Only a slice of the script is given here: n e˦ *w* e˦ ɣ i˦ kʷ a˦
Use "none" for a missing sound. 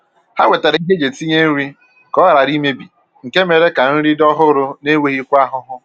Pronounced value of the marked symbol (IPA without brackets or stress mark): w